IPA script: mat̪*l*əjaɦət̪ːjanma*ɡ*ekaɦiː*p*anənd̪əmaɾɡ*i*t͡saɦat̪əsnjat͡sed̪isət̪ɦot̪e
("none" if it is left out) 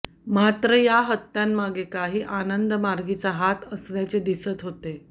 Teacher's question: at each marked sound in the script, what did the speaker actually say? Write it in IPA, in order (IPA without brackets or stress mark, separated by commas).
ɾ, ɡ, ʔ, i